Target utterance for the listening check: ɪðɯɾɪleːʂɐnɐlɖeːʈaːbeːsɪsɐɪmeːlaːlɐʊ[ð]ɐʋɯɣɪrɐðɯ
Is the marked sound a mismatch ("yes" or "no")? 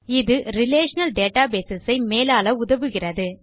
no